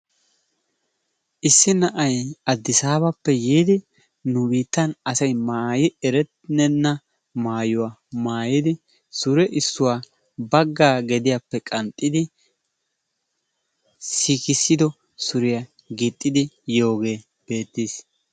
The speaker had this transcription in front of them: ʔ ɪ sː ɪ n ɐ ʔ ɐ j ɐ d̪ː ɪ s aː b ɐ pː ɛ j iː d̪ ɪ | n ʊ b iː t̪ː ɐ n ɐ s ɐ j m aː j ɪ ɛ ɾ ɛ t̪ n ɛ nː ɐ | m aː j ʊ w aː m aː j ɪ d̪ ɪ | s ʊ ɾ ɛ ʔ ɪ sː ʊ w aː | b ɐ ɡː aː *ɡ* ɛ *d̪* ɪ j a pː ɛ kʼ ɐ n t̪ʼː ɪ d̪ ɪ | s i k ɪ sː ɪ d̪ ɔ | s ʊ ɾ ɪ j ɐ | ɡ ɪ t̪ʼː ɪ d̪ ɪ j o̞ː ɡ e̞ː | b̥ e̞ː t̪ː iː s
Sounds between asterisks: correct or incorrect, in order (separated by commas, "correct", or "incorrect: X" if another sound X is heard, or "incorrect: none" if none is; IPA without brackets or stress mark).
correct, correct